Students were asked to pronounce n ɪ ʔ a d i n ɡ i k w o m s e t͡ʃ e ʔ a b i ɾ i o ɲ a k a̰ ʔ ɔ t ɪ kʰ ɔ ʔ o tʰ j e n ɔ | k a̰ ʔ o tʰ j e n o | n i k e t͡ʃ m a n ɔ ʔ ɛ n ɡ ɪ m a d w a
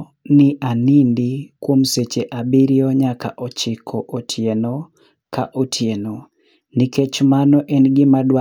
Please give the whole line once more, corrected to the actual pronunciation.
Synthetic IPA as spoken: n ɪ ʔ a n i n d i k w o m s e t͡ʃ e ʔ a b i ɾ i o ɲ a k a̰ ʔ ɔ t͡ʃ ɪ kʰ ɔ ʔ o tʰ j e n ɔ | k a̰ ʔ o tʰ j e n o | n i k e t͡ʃ m a n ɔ ʔ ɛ n ɡ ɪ m a d w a